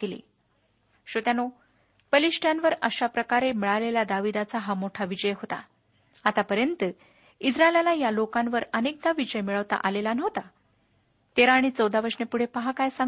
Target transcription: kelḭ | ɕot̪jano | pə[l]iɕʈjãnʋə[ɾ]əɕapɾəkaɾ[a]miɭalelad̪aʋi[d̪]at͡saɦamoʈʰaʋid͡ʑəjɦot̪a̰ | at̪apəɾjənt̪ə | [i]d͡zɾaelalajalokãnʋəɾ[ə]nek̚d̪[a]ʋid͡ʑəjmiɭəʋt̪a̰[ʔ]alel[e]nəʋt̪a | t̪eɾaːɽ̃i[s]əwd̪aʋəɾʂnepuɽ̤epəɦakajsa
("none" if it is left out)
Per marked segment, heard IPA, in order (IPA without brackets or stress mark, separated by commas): l, ɾ, e, d̪, i, ə, a, ʔ, a, t͡s